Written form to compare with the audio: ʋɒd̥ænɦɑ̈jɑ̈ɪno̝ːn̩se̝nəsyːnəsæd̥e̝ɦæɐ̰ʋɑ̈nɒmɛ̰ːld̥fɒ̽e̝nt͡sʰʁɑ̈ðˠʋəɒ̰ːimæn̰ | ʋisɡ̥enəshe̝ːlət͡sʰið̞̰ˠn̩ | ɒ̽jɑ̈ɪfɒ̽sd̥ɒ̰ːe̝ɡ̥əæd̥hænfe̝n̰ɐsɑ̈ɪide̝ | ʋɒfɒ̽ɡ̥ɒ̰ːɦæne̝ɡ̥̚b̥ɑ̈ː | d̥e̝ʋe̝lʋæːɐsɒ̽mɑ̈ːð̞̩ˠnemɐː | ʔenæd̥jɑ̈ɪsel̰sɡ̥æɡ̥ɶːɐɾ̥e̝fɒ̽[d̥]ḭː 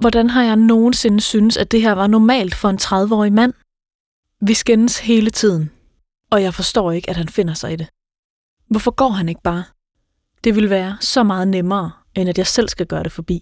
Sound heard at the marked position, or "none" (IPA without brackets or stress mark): b̥